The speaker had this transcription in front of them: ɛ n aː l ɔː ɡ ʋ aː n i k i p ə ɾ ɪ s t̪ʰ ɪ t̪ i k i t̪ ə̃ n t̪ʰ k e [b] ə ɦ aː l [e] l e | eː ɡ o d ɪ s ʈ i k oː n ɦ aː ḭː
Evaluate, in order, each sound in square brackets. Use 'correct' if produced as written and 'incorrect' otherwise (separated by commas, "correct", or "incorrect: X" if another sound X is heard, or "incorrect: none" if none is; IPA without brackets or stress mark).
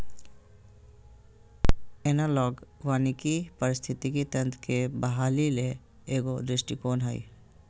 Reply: correct, incorrect: i